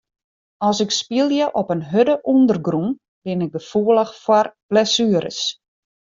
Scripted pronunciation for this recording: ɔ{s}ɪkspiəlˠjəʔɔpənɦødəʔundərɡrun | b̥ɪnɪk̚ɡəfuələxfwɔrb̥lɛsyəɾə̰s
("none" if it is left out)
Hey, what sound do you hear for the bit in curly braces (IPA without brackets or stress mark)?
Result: s